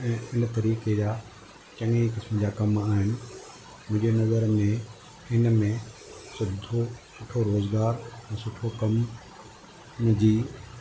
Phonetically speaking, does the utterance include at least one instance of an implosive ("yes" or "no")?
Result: no